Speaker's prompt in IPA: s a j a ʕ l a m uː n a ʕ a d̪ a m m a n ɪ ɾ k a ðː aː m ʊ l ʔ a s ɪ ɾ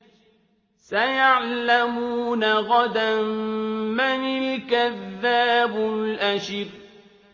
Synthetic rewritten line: s a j a ʕ l a m uː n a ɣ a d̪ a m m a n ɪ l k a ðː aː b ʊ l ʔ a ʃ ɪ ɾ